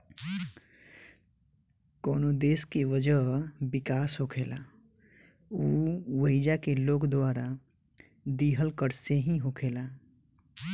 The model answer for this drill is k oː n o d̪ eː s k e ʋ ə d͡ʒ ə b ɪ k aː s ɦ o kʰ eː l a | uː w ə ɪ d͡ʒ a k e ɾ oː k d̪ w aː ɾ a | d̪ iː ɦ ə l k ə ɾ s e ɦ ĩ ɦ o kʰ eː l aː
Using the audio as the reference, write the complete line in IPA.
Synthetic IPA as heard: k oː n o d̪ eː s k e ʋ ə d͡ʒ ə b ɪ k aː s ɦ o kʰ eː l a | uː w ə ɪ d͡ʒ a k e l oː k d̪ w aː ɾ a | d̪ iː ɦ ə l k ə ɾ s e ɦ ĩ ɦ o kʰ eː l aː